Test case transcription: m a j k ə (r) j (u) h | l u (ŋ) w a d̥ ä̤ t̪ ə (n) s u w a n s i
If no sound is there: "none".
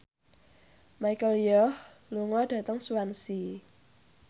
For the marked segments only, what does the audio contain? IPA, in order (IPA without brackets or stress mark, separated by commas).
l, ɔ, ŋ, ŋ